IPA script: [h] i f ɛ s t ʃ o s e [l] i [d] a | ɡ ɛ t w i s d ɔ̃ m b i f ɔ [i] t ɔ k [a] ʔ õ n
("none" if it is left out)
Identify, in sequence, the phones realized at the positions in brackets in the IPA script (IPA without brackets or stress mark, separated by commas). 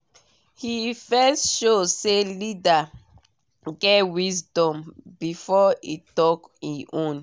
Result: h, l, d, i, i